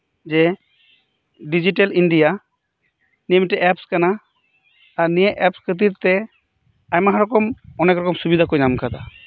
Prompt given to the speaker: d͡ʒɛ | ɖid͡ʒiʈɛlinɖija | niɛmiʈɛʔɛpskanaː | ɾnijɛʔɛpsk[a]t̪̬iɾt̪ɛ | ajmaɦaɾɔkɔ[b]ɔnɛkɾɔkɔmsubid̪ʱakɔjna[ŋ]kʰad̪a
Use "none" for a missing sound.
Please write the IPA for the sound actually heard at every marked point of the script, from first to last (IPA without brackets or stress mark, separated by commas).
ə, m, m